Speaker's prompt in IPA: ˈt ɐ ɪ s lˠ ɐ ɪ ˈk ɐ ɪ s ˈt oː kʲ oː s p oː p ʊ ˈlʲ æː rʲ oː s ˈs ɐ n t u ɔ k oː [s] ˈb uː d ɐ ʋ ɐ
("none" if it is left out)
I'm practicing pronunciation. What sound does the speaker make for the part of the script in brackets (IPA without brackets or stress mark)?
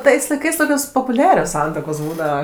s